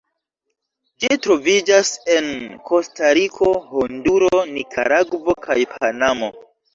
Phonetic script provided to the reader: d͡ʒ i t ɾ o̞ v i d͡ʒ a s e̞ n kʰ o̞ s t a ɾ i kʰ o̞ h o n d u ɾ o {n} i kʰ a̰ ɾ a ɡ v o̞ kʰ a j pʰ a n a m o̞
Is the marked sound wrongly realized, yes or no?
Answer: no